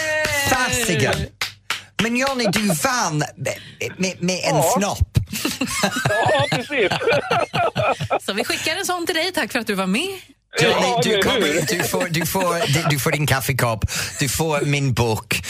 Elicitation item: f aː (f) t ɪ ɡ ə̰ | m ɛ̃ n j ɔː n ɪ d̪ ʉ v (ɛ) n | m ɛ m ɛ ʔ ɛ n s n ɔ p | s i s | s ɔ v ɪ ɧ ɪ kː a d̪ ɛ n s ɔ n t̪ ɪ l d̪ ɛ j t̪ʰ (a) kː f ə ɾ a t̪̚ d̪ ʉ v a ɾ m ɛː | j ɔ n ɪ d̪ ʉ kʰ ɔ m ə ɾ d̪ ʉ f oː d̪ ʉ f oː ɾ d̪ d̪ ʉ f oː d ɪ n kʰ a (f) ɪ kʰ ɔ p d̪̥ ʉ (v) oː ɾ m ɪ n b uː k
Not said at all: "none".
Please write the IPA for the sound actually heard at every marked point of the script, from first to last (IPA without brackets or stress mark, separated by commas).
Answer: s, a, a, f, f